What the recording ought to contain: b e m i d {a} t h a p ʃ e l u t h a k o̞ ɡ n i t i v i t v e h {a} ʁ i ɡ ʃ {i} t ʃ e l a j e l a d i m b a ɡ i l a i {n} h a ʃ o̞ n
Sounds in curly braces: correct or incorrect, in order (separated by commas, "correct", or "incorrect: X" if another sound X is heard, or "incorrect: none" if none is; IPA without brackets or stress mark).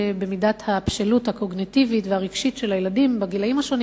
correct, correct, correct, incorrect: m